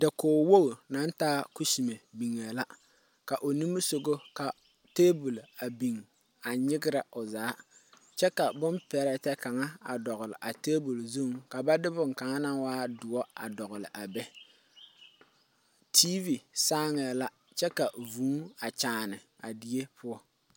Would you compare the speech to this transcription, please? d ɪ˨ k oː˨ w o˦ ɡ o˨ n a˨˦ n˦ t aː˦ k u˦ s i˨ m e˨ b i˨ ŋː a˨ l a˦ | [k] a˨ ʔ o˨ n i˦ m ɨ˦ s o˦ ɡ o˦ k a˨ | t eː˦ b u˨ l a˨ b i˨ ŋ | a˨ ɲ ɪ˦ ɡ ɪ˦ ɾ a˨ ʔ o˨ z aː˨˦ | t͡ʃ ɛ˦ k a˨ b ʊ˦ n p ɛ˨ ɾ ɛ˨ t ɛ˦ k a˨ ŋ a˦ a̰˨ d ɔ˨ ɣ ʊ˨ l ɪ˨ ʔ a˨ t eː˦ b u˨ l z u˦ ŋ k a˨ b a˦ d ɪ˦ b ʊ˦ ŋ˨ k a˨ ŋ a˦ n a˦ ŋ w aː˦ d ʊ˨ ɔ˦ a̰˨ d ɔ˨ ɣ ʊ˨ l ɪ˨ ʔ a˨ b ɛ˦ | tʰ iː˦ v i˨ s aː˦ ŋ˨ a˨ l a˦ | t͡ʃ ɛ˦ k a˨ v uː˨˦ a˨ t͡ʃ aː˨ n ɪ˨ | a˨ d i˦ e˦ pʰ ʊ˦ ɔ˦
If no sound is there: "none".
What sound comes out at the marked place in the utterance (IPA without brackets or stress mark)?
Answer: k